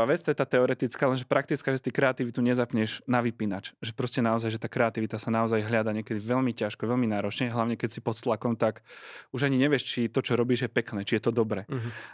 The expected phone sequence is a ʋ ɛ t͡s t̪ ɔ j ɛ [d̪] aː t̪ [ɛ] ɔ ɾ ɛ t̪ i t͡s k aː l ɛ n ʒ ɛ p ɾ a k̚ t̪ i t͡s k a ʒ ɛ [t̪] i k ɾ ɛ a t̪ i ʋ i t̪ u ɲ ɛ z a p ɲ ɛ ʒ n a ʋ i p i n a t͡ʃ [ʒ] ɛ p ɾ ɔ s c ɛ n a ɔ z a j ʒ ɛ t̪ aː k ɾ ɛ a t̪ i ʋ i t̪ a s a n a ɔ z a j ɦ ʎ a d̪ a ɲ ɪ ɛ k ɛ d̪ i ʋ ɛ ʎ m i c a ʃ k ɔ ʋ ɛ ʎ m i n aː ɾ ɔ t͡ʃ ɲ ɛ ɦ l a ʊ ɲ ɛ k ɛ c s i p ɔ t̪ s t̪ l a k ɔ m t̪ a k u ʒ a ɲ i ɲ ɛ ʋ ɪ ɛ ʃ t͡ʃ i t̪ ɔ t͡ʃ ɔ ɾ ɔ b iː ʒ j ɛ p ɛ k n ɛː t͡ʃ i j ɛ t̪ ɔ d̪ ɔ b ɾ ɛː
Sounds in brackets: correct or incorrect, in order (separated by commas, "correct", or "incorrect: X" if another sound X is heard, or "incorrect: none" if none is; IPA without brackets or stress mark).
incorrect: t̪, correct, correct, correct